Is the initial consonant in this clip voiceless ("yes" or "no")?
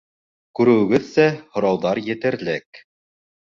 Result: yes